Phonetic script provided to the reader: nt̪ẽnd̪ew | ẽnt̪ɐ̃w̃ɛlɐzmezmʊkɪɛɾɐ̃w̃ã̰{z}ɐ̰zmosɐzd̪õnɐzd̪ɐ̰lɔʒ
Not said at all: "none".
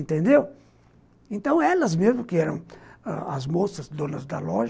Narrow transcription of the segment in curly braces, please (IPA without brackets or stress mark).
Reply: none